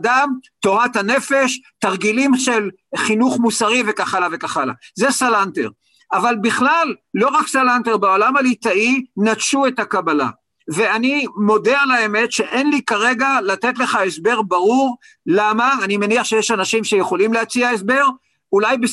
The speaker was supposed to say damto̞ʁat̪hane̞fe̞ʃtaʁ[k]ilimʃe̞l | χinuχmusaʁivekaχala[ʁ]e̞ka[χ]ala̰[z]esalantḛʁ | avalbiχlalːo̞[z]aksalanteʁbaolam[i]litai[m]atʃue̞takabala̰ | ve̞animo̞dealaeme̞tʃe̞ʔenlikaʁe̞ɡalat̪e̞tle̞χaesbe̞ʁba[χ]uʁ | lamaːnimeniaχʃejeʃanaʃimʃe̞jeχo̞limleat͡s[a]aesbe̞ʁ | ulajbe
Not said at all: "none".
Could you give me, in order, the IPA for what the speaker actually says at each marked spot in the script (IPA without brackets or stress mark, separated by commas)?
ɡ, v, χ, z, ʁ, a, n, ʁ, i